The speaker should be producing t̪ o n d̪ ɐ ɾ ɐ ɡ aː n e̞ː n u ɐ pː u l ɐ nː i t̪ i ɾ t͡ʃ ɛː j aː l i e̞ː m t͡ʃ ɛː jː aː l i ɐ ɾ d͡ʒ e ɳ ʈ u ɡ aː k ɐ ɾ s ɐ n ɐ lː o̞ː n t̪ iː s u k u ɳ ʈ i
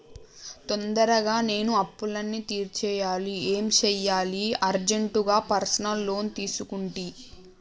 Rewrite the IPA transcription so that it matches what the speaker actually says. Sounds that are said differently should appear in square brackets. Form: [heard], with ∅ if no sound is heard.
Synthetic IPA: t̪ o n d̪ ɐ ɾ ɐ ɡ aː n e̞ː n u ɐ pː u l ɐ nː i t̪ [iː] ɾ t͡ʃ ɛː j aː l i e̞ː m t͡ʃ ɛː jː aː l i ɐ ɾ d͡ʒ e ɳ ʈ u ɡ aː [p] ɐ ɾ s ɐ n ɐ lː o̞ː n t̪ iː s u k u ɳ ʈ i